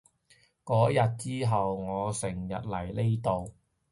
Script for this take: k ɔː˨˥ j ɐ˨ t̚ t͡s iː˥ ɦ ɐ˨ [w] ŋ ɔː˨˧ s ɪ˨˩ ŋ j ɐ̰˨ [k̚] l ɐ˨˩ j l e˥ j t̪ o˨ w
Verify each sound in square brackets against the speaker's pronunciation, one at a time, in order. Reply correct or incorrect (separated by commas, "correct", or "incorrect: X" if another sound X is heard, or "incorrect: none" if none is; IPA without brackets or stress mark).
correct, incorrect: t̚